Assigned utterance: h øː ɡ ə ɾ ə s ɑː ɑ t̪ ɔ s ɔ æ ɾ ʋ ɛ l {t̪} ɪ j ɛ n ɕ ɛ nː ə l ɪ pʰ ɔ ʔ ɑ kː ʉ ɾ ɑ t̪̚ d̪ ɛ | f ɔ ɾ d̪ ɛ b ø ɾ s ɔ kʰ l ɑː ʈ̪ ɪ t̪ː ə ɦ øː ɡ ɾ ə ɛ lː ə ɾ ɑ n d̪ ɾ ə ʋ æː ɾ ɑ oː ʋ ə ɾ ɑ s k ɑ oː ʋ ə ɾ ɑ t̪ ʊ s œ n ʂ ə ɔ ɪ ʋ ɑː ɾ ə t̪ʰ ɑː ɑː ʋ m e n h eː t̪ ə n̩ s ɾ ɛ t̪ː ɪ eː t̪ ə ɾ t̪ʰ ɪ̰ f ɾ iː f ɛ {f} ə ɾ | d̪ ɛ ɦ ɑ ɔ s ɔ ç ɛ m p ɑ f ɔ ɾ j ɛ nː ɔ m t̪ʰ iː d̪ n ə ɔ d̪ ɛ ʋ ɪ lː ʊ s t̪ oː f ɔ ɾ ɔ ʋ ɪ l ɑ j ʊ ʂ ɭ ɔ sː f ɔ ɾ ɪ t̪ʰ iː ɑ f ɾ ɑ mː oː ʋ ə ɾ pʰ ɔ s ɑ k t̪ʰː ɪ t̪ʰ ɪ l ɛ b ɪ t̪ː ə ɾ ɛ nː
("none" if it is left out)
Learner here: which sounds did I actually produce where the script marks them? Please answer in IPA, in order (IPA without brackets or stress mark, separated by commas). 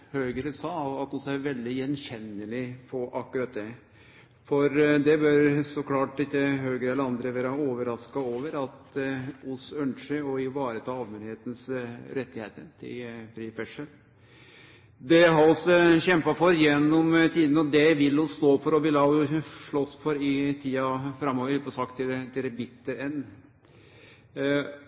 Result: d̪, ʂ